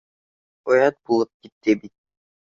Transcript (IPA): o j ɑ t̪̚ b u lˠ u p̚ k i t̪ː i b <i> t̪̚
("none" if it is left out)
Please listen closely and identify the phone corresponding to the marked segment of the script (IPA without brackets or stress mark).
i